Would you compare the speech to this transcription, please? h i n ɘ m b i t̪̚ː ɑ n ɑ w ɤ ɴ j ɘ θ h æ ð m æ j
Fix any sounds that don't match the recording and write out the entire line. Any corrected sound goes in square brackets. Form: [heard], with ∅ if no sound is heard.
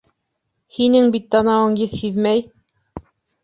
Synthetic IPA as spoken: h i n ɘ [ŋ] b i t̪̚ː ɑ n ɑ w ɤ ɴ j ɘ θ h [i] ð m æ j